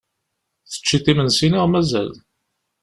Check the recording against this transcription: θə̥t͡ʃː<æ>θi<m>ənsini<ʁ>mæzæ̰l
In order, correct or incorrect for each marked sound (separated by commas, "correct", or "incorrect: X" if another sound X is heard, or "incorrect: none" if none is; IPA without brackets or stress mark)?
incorrect: i, correct, correct